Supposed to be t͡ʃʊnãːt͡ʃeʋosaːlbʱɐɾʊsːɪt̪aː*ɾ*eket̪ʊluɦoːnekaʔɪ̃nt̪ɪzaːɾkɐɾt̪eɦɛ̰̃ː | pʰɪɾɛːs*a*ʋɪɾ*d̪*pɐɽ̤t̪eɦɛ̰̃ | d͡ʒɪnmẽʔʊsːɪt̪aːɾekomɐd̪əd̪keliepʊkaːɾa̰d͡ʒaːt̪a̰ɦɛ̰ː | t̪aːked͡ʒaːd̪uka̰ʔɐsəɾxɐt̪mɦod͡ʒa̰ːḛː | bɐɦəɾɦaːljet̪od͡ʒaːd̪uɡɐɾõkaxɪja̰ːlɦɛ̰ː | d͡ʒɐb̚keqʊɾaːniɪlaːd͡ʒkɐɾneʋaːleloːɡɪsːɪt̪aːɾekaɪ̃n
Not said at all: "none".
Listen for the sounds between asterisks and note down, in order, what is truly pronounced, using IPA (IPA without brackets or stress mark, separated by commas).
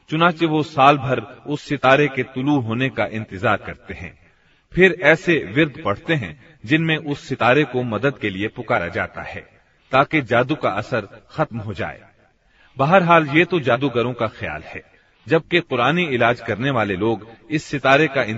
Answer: ɾ, e, d̪